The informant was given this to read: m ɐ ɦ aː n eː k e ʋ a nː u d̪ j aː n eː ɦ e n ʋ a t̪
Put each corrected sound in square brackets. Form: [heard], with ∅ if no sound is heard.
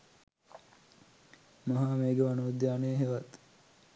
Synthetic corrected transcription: m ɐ ɦ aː [m] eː [ɡ] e ʋ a [n] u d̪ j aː n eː ɦ e [∅] ʋ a t̪